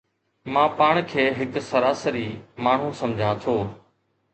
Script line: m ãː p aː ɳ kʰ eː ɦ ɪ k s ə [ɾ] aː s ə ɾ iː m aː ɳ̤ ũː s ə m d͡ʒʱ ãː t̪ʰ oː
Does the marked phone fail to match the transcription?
no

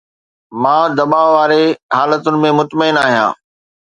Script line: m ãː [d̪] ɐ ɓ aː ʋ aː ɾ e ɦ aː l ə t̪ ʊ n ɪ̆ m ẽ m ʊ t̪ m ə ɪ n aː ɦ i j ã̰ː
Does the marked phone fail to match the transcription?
no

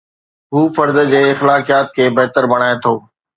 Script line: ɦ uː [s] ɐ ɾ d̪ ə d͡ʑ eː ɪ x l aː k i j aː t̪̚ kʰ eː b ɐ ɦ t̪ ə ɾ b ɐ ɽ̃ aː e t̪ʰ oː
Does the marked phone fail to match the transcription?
yes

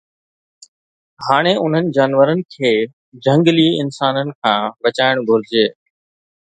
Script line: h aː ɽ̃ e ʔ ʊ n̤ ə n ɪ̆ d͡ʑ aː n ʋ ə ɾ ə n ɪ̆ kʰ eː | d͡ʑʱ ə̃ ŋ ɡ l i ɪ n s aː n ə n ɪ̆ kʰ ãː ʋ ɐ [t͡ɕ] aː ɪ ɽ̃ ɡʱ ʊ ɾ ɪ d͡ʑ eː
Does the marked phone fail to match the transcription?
no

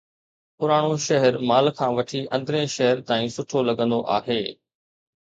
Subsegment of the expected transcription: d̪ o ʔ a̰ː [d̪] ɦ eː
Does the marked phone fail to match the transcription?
yes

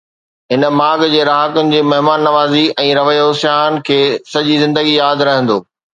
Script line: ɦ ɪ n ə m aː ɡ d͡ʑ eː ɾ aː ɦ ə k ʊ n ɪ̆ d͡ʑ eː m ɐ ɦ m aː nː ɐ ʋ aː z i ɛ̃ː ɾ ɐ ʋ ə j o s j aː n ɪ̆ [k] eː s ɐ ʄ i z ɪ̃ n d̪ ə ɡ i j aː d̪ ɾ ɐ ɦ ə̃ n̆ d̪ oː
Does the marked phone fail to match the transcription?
yes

